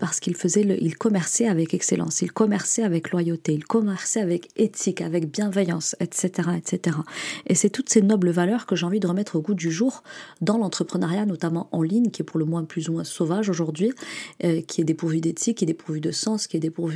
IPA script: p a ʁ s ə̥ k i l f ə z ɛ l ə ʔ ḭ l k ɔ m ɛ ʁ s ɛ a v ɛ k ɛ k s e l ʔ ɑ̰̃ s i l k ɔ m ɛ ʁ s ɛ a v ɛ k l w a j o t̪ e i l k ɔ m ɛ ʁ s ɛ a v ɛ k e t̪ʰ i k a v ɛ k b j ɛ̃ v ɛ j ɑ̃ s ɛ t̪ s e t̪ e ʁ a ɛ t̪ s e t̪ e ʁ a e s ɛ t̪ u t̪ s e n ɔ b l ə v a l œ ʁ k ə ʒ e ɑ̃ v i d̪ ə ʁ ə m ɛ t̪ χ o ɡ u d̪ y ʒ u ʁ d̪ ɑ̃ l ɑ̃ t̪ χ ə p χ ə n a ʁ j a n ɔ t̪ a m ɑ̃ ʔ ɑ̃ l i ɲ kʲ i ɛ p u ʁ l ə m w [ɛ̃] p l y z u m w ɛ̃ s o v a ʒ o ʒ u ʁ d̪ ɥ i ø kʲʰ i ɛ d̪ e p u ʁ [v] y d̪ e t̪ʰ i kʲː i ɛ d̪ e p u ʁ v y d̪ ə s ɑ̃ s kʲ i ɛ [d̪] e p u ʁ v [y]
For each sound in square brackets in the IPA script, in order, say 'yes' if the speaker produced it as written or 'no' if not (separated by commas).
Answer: yes, yes, yes, yes